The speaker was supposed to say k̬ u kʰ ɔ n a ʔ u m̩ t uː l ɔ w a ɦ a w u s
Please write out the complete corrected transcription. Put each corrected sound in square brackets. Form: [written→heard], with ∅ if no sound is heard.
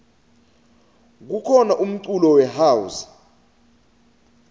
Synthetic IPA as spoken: k̬ u kʰ ɔ n a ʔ u m̩ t [uː→u] l ɔ w [a→ɛ] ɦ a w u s